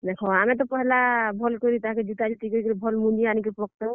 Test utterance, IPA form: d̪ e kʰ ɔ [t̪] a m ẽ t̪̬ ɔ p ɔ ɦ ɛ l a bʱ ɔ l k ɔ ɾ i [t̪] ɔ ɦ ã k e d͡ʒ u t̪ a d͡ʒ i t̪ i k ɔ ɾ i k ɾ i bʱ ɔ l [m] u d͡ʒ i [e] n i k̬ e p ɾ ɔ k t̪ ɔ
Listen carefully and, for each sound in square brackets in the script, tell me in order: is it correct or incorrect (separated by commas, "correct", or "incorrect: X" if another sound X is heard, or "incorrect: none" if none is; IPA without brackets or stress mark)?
incorrect: none, correct, correct, incorrect: a